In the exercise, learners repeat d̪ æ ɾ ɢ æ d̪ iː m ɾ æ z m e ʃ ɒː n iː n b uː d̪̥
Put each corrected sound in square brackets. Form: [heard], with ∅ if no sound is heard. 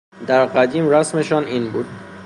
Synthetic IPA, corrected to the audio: d̪ æ ɾ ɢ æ d̪ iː m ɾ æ [s] m e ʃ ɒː n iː n b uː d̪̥

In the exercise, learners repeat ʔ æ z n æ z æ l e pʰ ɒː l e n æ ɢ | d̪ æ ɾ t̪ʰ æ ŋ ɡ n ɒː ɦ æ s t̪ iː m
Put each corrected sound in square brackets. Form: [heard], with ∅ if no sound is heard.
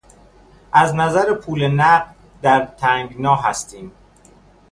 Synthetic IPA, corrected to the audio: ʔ æ z n æ z æ [ɾ] e pʰ [uː] l e n æ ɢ | d̪ æ ɾ t̪ʰ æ ŋ ɡ n ɒː ɦ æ s t̪ iː m

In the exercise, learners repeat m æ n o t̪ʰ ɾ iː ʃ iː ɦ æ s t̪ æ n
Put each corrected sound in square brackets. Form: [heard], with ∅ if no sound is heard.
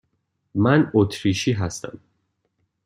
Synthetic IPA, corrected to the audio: m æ n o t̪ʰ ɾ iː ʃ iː ɦ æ s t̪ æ [m]

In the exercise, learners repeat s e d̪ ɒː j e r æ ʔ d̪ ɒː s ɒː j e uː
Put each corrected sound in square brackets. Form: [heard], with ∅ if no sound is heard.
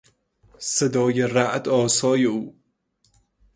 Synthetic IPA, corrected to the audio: s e d̪ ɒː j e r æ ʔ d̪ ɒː s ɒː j e uː

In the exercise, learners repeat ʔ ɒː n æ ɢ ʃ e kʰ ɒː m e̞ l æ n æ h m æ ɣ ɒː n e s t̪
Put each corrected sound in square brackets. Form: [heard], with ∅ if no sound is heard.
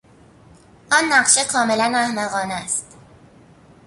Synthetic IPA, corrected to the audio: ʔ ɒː [nː] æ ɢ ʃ e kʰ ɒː m e̞ l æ n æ h m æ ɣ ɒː n [æ] s t̪

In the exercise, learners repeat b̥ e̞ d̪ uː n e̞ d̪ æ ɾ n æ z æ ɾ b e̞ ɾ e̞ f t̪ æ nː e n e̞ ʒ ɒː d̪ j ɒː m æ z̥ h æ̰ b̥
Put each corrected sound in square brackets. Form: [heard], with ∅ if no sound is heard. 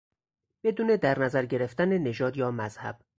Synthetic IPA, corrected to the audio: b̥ e̞ d̪ uː n e̞ d̪ æ ɾ n æ z æ ɾ [ɟ] e̞ ɾ e̞ f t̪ æ [n] e n e̞ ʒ ɒː d̪ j ɒː m æ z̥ h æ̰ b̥

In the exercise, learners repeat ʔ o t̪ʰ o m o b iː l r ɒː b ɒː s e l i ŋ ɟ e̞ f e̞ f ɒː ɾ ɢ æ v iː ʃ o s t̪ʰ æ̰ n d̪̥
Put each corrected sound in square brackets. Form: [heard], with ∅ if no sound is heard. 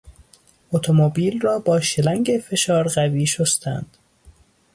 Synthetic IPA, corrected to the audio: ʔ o t̪ʰ o m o b iː l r ɒː b ɒː [ʃ] e l [æ] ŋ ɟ e̞ f e̞ [ʃ] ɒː ɾ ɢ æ v iː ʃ o s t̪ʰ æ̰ n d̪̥

